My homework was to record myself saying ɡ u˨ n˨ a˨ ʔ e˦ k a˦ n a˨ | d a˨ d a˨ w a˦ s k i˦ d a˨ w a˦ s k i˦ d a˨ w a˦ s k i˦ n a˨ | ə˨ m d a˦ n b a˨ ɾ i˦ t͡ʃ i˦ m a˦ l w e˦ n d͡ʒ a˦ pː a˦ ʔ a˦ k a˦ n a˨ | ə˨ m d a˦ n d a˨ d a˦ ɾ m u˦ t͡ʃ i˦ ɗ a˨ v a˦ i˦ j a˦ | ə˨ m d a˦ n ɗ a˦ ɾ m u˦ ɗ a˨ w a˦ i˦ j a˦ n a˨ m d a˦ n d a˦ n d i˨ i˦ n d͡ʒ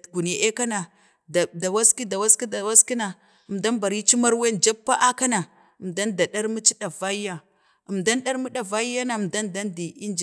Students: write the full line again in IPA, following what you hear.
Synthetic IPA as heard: ɡ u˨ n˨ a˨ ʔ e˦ k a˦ n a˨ | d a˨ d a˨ w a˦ s k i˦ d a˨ w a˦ s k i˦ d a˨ w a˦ s k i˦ n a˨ | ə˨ m d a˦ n b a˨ ɾ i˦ t͡ʃ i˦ m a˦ ɾ w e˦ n d͡ʒ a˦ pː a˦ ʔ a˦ k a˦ n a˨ | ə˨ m d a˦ n d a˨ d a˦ ɾ m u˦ t͡ʃ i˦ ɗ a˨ v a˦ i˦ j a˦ | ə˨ m d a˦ n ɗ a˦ ɾ m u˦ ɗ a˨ v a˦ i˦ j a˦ n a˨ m d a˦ n d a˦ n d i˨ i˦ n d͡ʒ

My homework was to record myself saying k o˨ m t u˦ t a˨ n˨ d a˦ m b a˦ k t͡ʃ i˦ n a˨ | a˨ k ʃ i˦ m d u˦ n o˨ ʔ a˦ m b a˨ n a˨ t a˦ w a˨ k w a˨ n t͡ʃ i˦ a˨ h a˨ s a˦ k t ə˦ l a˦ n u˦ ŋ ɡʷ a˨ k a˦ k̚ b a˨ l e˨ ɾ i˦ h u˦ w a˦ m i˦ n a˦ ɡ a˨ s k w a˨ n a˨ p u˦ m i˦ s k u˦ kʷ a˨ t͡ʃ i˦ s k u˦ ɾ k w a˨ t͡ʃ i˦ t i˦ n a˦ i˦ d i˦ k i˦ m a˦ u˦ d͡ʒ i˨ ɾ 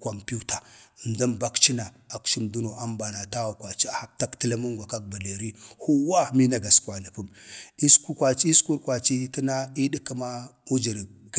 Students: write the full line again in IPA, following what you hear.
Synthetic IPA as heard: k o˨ m p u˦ t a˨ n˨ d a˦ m b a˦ k t͡ʃ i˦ n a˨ | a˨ k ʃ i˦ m d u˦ n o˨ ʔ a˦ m b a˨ n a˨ t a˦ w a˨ k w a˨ t͡ʃ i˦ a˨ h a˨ t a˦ k t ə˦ l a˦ m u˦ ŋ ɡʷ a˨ k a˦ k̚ b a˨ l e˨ ɾ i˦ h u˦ w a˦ m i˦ n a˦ ɡ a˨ s k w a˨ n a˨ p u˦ m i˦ s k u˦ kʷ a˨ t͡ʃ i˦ s k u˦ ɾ k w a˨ t͡ʃ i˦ t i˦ n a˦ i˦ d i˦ k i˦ m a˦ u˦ d͡ʒ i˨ ɾ

